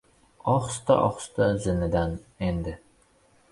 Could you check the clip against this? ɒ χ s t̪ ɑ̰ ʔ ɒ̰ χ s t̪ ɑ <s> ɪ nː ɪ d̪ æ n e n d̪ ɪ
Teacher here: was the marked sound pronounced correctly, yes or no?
no